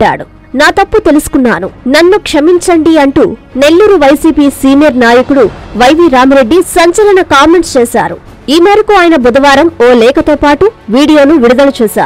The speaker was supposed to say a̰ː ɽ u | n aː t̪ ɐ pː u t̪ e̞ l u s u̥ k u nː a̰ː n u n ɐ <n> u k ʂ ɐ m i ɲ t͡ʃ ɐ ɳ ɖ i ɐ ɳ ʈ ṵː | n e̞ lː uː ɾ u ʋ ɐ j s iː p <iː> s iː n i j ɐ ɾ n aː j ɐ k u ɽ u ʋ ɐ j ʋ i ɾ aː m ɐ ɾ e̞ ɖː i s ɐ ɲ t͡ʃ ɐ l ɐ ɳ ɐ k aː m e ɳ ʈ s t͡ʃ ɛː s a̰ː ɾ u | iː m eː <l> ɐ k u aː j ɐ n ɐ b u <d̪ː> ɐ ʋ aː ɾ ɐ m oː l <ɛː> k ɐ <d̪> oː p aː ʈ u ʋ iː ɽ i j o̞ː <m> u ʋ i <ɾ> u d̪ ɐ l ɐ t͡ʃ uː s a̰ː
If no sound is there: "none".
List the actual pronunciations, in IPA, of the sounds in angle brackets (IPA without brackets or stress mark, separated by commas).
nː, iː, ɾ, d̪, ɛː, t̪, n, ɽ